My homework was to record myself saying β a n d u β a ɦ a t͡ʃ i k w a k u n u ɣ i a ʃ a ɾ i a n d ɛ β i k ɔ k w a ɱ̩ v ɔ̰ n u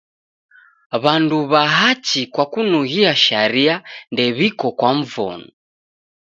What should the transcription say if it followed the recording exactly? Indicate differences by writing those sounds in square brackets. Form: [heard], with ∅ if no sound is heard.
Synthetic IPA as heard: β a n d u β a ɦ a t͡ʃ i k w a k u n u ɣ i a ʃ a ɾ i a n d ɛ β i k ɔ k w a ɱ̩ v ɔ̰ n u